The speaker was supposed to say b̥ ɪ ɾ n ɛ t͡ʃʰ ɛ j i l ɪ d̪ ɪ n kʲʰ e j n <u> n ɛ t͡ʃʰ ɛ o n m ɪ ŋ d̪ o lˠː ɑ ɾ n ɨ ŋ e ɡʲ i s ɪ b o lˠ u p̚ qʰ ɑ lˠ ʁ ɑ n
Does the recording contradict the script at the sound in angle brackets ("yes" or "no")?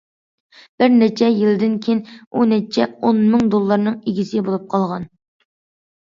no